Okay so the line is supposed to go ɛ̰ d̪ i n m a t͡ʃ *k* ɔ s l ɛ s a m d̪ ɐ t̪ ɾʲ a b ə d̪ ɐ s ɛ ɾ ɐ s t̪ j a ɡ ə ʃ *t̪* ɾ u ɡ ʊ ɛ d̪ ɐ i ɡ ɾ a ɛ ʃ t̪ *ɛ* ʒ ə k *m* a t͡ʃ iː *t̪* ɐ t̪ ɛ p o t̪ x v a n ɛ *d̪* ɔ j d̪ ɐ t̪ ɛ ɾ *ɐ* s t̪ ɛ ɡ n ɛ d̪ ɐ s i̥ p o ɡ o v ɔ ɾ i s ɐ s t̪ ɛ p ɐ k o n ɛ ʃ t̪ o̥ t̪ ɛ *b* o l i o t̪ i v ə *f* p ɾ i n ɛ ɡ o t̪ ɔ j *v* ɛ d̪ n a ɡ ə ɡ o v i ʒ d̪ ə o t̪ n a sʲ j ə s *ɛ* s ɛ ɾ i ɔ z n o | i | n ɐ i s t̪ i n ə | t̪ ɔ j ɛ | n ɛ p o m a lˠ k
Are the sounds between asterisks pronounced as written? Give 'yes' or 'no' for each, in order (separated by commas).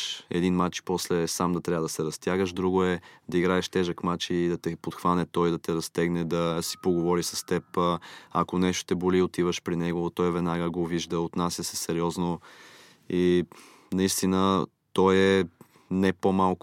no, no, yes, yes, no, no, yes, yes, no, yes, yes